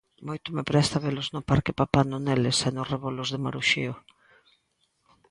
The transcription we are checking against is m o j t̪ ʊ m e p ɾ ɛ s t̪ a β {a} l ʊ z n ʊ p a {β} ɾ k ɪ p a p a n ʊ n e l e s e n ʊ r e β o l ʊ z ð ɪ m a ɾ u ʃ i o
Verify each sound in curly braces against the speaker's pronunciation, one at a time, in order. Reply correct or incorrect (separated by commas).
incorrect, incorrect